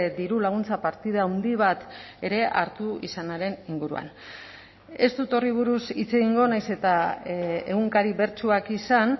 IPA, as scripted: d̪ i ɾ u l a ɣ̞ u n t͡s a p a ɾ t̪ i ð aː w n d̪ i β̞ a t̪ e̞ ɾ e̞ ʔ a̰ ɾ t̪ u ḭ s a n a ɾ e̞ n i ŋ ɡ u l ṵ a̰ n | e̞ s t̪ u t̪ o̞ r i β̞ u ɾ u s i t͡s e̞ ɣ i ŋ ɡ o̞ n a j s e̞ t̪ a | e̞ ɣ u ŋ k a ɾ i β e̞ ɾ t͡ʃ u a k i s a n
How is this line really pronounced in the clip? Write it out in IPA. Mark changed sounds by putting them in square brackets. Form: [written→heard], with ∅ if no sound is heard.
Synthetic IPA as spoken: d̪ i ɾ u l a ɣ̞ u n t͡s a p a ɾ t̪ i ð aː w n d̪ i β̞ a t̪ e̞ ɾ e̞ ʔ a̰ ɾ t̪ u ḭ s a n a ɾ e̞ n i ŋ ɡ u [l→ɾ] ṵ a̰ n | e̞ s t̪ u t̪ o̞ r i β̞ u ɾ u s i t͡s e̞ ɣ i ŋ ɡ o̞ n a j s e̞ t̪ a | e̞ ɣ u ŋ k a ɾ i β e̞ ɾ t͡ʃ u a k i s a n